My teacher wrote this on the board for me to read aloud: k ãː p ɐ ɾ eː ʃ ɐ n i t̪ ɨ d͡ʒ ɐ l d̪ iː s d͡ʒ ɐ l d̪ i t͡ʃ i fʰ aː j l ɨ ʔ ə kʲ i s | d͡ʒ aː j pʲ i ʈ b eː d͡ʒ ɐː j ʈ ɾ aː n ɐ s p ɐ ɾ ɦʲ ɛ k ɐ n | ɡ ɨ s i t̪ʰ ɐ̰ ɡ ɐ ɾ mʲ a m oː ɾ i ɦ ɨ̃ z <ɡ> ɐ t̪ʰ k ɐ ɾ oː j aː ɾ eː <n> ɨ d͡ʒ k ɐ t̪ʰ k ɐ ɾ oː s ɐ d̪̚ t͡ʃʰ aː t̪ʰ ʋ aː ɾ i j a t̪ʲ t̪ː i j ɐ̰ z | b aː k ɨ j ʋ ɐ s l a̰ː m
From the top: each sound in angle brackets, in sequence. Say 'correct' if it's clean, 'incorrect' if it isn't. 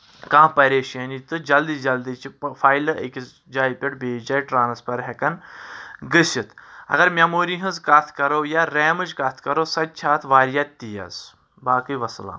incorrect: k, incorrect: m

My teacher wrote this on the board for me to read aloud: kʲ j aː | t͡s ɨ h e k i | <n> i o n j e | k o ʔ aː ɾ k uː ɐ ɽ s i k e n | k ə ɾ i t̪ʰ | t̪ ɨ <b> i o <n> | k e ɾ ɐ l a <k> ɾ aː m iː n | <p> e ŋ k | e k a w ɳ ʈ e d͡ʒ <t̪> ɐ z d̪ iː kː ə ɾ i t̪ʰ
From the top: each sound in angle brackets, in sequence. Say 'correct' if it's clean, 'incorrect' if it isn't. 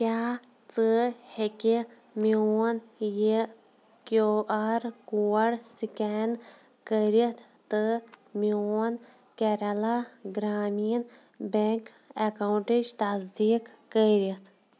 incorrect: m, incorrect: m, correct, incorrect: ɡ, incorrect: b, correct

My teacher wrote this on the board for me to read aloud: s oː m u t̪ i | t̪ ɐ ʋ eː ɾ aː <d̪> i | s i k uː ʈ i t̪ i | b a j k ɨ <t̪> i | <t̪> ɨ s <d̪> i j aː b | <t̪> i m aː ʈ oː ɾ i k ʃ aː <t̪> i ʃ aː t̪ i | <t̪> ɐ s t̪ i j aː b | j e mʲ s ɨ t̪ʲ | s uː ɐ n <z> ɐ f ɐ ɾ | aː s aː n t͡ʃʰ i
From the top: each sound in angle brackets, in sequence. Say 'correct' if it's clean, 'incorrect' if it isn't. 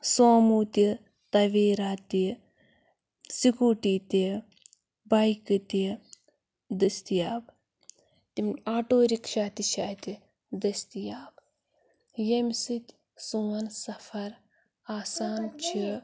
incorrect: t̪, correct, incorrect: d̪, incorrect: t̪, correct, correct, incorrect: d̪, incorrect: s

